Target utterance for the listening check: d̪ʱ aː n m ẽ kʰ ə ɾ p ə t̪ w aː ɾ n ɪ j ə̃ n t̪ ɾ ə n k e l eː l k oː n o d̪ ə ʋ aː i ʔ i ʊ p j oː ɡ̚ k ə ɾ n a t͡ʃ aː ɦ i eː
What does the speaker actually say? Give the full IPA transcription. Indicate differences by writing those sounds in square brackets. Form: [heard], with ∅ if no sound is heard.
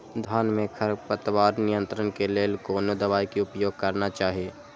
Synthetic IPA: d̪ʱ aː n m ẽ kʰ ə ɾ p ə t̪ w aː ɾ n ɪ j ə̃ n t̪ ɾ ə n k e l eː l k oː n o d̪ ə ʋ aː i [k] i ʊ p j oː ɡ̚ k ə ɾ n a t͡ʃ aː ɦ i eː